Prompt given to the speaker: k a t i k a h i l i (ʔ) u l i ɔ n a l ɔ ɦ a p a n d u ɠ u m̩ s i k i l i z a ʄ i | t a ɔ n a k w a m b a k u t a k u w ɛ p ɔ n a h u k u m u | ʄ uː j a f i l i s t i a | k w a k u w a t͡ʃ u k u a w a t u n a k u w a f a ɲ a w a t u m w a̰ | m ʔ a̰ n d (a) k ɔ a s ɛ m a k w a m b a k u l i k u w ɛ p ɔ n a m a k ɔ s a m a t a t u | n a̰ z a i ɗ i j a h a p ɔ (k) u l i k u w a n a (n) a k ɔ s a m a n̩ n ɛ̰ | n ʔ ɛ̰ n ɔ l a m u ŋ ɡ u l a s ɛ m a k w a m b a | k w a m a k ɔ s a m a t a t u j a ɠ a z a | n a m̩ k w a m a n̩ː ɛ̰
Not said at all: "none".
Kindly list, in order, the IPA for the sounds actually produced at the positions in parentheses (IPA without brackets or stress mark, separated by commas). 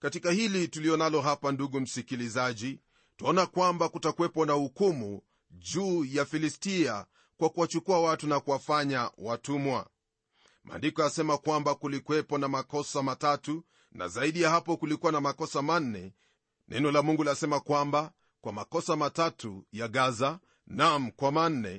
t, i, k, m